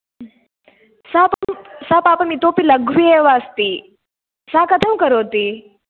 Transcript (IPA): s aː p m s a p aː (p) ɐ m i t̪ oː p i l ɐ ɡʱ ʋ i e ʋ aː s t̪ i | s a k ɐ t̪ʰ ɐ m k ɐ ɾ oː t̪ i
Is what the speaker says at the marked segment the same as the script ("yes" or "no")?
yes